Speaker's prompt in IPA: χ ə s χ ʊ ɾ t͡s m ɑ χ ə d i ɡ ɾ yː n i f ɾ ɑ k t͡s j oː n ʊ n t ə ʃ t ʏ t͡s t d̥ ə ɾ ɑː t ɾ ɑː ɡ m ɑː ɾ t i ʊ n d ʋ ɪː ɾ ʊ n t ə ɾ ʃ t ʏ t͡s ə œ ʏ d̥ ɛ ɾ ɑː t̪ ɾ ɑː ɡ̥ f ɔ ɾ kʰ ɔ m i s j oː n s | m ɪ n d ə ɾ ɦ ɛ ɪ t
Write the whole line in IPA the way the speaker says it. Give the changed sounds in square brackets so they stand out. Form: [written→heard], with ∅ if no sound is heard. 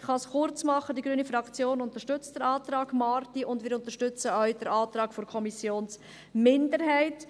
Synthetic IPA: χ [ə→ɑ] s χ ʊ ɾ t͡s m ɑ χ ə d i ɡ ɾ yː n i f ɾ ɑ k t͡s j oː n ʊ n t ə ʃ t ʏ t͡s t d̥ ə ɾ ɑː t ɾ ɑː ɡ m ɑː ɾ t i ʊ n d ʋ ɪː ɾ ʊ n t ə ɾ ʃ t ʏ t͡s ə œ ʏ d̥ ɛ ɾ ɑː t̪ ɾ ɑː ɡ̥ f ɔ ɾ kʰ ɔ m i s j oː n s | m ɪ n d ə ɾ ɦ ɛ ɪ t

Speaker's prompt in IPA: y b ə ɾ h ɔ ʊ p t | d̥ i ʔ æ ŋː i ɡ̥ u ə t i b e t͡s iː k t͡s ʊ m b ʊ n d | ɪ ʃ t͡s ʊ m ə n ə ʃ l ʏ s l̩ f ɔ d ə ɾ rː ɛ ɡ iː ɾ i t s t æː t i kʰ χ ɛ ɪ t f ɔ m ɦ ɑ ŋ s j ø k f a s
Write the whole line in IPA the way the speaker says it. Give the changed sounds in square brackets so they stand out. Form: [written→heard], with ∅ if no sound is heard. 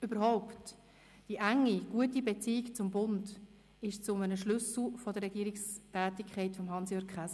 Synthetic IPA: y b ə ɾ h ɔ ʊ p t | d̥ i ʔ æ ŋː i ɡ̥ u ə t i b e t͡s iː k t͡s ʊ m b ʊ n d | ɪ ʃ t͡s ʊ m ə n ə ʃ l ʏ s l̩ f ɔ d ə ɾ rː ɛ ɡ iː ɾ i [t→k] s t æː t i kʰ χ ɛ ɪ t f ɔ m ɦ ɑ [ŋ→n] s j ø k [f→χ] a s

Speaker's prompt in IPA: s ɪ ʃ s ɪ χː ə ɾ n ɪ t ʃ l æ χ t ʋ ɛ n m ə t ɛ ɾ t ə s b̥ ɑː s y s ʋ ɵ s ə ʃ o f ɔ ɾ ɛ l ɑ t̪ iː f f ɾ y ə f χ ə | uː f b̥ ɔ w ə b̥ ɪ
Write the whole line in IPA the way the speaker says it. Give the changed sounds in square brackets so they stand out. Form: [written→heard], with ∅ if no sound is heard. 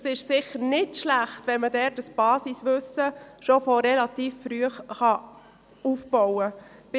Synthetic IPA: s ɪ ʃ s ɪ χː ə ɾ n ɪ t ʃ l æ χ t ʋ ɛ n m ə [t→d] ɛ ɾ t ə s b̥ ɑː s [y→i] s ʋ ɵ s ə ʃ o f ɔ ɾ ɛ l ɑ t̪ iː f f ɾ y ə [f→χ] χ [ə→ɑ] | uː f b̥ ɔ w ə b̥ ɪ

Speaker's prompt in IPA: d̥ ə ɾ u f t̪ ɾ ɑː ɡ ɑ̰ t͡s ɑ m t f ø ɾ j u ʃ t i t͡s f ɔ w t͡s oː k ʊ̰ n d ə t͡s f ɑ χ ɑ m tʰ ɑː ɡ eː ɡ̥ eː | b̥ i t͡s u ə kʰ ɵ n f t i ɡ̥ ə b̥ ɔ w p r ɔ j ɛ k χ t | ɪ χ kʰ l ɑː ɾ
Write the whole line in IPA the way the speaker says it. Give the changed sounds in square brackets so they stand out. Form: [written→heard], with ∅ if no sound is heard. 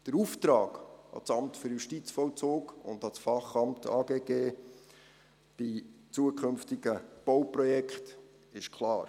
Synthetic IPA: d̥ ə ɾ u f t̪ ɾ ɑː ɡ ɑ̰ t͡s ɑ m t f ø ɾ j u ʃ t i t͡s f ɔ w t͡s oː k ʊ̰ n d [ə→ɑ] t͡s f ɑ χ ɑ m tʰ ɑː ɡ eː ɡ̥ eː | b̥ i t͡s u ə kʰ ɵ n f t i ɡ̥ ə b̥ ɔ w p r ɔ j ɛ k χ t | ɪ [χ→ʃ] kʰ l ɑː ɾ

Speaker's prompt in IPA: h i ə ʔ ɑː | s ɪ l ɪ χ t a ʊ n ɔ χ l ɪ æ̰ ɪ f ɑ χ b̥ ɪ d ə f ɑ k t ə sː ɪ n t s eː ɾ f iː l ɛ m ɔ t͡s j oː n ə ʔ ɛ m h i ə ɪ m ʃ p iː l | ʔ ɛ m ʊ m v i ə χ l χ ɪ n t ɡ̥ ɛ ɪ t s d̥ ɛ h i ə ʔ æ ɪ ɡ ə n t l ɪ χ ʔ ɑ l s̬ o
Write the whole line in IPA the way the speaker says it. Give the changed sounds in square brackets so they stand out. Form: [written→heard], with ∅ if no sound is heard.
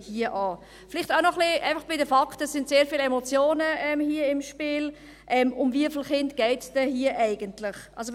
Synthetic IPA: h i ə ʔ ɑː | [s→f] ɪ l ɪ χ t a ʊ n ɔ χ l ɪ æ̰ ɪ f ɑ χ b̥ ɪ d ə f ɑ k t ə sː ɪ n t s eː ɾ f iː l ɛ m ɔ t͡s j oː n ə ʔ ɛ m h i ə ɪ m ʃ p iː l | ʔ ɛ m ʊ m v i ə [χ→f] l χ ɪ n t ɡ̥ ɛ ɪ t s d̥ ɛ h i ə ʔ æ ɪ ɡ ə n t l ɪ χ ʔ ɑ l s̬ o

